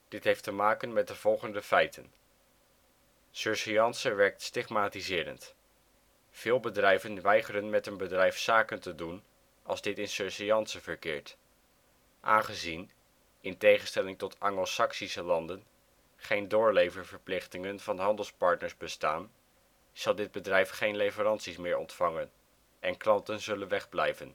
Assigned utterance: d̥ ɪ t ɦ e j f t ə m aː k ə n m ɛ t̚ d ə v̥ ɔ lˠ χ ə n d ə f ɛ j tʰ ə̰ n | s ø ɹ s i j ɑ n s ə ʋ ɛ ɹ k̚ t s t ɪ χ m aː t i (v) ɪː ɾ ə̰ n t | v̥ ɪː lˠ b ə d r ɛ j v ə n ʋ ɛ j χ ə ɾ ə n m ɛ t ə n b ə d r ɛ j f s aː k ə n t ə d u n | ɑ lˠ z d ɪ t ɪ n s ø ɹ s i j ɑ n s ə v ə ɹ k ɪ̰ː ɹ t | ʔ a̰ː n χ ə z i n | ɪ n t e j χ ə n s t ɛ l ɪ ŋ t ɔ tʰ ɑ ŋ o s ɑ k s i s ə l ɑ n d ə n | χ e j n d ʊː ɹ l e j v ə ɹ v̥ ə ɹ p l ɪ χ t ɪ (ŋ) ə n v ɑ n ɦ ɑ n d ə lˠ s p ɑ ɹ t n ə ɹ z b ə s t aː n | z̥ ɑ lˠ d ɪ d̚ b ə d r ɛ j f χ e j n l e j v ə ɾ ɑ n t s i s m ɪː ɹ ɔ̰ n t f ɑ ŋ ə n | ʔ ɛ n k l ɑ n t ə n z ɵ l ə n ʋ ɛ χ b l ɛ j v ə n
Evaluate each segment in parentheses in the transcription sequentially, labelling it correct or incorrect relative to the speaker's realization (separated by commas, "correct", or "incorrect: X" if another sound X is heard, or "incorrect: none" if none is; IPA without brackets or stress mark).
incorrect: z, correct